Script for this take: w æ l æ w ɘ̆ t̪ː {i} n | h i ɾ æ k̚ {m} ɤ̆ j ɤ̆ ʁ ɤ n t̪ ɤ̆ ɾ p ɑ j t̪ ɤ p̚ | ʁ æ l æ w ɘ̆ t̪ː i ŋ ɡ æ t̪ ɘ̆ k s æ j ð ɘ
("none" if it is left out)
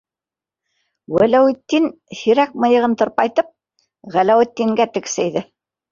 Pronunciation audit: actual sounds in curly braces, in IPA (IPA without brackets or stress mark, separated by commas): i, m